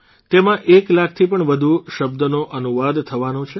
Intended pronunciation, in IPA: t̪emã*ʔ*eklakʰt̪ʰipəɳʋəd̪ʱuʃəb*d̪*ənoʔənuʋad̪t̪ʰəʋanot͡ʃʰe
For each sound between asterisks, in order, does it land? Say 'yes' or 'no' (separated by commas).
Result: yes, yes